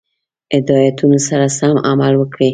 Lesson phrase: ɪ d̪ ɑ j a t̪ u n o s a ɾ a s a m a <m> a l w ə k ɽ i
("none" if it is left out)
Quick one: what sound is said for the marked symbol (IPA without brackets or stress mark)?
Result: m